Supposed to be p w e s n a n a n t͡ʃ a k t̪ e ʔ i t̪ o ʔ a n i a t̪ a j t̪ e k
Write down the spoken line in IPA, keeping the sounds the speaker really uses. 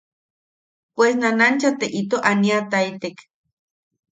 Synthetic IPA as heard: p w e s n a n a n t͡ʃ a t̪ e ʔ i t̪ o ʔ a n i a t̪ a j t̪ e k